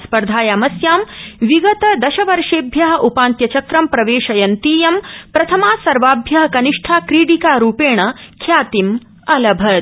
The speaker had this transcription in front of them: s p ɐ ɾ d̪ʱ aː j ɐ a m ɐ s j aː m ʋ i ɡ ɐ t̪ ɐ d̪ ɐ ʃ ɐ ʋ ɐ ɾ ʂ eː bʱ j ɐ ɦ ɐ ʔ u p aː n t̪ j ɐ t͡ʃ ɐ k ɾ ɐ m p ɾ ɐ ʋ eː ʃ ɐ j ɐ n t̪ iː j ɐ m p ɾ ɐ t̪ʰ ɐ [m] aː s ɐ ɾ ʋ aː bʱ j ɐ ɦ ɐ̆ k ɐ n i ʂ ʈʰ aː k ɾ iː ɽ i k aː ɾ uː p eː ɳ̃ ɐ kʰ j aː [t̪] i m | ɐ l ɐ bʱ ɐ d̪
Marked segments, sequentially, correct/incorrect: correct, correct

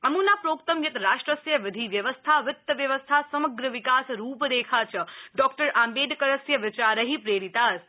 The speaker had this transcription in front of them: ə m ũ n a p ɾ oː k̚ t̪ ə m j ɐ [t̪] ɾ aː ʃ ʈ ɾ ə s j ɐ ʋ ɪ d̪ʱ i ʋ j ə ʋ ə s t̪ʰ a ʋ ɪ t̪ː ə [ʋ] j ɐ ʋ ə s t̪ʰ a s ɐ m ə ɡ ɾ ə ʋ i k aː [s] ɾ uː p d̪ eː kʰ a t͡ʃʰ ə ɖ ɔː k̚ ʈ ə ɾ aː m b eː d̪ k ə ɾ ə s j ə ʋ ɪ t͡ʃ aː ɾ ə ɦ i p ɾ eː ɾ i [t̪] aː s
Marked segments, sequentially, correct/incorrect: correct, correct, correct, correct

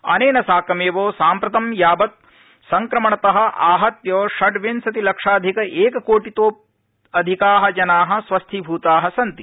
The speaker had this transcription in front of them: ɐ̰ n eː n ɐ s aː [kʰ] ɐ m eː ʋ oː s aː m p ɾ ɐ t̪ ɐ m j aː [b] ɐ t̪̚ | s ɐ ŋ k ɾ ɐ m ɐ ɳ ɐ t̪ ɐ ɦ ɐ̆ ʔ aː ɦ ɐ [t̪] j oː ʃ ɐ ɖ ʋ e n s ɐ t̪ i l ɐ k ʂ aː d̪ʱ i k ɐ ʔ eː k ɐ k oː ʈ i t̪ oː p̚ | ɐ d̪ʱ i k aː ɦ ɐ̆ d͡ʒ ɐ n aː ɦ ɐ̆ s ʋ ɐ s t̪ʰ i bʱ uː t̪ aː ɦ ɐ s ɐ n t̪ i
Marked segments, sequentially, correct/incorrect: incorrect, correct, correct

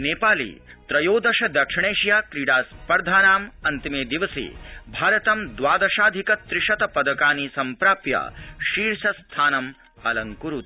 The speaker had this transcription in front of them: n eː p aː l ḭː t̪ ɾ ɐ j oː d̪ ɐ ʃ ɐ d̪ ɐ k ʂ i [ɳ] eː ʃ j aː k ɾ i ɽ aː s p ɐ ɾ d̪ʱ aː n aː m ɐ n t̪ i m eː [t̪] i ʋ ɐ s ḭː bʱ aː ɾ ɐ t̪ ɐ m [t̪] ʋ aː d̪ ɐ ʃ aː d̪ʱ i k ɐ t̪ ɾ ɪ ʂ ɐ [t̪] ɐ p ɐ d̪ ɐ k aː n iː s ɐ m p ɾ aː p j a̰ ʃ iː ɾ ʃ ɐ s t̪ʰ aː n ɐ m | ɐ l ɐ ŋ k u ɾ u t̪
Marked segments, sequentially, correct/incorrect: correct, incorrect, incorrect, correct

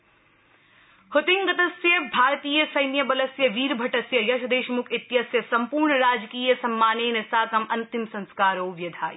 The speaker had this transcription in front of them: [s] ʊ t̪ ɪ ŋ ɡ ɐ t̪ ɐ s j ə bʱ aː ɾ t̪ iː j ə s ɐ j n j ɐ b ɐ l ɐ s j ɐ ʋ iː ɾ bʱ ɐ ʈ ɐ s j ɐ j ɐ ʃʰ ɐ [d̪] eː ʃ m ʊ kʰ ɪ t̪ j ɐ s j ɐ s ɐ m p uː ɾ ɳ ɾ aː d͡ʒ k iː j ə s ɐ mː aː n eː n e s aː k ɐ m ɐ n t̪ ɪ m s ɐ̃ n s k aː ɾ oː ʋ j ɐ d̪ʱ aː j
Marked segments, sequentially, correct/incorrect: incorrect, correct

